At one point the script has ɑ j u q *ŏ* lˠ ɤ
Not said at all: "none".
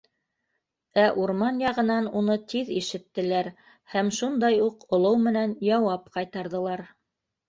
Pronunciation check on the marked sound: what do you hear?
ŏ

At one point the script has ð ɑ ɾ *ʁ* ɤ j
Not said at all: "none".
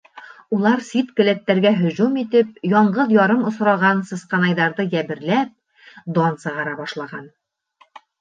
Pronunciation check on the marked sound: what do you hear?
ð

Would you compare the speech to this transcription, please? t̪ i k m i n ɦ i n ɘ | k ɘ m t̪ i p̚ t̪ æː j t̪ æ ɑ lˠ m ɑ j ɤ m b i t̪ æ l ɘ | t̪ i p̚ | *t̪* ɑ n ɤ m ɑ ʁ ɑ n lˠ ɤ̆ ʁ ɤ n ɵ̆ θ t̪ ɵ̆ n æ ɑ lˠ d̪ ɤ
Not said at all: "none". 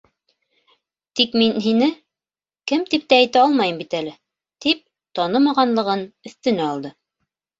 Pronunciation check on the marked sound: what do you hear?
t̪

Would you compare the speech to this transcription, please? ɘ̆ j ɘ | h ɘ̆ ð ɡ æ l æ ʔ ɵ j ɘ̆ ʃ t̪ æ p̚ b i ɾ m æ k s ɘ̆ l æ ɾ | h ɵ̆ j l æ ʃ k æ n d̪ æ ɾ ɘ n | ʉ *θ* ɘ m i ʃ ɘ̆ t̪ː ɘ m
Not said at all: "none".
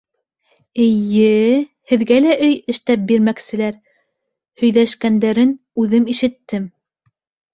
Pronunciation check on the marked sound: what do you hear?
ð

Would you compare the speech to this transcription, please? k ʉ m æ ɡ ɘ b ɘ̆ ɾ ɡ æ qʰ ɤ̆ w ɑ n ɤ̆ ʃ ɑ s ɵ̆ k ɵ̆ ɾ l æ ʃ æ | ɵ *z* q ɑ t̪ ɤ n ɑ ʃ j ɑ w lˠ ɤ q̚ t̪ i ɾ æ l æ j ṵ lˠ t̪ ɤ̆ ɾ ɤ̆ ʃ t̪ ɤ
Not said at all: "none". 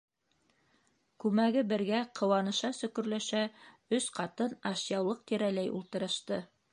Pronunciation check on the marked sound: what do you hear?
s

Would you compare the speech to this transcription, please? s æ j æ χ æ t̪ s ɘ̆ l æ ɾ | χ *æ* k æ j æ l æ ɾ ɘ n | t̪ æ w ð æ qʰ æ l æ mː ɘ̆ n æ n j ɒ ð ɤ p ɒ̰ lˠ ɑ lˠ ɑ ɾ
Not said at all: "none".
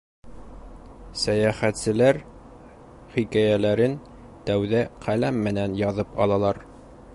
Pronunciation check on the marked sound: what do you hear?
i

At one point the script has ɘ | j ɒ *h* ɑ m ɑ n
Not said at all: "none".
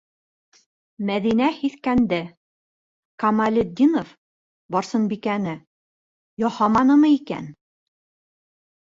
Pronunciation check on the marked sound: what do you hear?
h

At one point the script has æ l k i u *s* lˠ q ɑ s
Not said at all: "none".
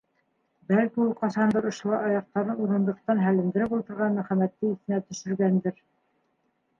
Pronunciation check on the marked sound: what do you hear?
none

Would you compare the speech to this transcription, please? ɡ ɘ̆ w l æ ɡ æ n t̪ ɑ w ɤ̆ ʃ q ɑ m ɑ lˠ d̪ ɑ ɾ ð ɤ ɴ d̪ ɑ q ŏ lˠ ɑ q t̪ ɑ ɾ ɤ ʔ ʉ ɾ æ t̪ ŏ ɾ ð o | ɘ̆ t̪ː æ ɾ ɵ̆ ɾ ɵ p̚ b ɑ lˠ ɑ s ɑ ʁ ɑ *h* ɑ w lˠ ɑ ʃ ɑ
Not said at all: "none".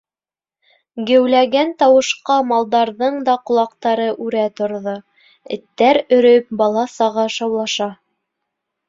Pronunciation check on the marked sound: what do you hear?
ʃ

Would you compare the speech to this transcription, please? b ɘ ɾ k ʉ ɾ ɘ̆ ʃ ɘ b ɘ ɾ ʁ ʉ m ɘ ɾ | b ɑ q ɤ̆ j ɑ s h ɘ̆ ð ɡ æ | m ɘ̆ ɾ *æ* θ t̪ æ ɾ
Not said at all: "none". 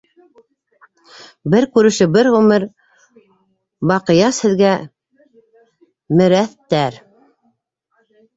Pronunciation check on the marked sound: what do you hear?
æ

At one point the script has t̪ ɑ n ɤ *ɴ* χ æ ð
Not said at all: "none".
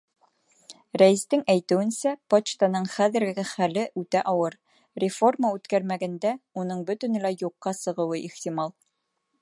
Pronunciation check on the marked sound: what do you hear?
ɴ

